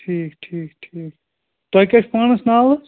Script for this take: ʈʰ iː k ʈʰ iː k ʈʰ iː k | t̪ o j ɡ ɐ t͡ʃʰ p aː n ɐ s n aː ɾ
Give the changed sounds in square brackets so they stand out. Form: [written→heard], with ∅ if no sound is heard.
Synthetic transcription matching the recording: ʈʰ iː k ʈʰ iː k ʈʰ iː k | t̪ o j [ɡ→k] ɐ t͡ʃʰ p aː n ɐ s n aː [ɾ→l]